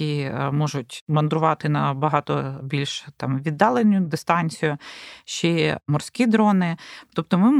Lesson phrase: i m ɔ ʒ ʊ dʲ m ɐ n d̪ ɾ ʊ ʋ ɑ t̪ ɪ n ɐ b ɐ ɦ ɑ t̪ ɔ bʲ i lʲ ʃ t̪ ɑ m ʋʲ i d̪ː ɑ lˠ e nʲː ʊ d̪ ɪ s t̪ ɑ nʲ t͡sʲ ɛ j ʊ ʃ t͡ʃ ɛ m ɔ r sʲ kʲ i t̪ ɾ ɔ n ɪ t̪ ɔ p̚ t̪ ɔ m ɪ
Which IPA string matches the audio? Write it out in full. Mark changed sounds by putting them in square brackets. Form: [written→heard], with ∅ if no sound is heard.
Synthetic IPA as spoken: i m ɔ ʒ ʊ [dʲ→tʲ] m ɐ n d̪ ɾ ʊ ʋ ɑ t̪ ɪ n ɐ b ɐ ɦ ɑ t̪ ɔ bʲ i lʲ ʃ t̪ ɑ m ʋʲ i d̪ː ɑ lˠ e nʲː ʊ d̪ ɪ s t̪ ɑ nʲ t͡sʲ [ɛ→i] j ʊ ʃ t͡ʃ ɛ m ɔ r sʲ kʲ i [t̪→d̪] ɾ ɔ n ɪ t̪ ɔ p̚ t̪ ɔ m ɪ